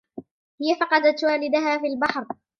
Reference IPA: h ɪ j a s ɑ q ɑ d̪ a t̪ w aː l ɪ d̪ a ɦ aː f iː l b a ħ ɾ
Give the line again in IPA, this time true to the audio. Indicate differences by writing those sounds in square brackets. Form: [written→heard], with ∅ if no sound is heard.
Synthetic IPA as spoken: h ɪ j a [s→f] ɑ q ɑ d̪ a t̪ w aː l ɪ d̪ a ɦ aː f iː l b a ħ ɾ